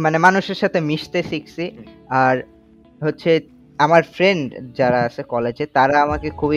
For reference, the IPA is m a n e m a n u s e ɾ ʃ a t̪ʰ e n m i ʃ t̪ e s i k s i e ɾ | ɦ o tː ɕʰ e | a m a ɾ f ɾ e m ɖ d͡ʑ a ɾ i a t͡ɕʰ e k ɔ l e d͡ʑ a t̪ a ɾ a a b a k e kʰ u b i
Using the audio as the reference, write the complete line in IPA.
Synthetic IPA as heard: m a n e m a n u ʃ e ɾ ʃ a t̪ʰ e m i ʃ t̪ e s i k s i a ɾ | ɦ o tː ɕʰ e | a m a ɾ f ɾ e ɳ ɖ d͡ʑ a ɾ a a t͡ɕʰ e k ɔ l e d͡ʑ e t̪ a ɾ a a m a k e kʰ u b i